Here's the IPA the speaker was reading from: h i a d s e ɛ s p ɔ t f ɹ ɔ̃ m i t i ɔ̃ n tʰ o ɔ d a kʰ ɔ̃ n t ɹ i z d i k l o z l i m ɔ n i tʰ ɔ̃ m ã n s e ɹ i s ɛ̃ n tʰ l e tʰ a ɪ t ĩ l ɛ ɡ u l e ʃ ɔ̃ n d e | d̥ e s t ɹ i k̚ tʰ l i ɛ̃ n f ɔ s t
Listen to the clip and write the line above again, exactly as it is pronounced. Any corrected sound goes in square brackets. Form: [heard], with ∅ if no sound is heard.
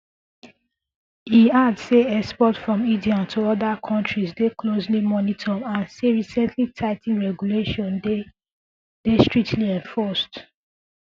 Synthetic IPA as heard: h i a d s e ɛ s p ɔ t f ɹ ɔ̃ m i [d] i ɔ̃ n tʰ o ɔ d a kʰ ɔ̃ n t ɹ i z d [e] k l o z l i m ɔ n i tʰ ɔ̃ m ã n s e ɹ i s ɛ̃ n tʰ l [i] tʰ a ɪ t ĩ [ɹ] ɛ ɡ u l e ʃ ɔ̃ n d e | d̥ e s t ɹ i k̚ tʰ l i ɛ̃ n f ɔ s t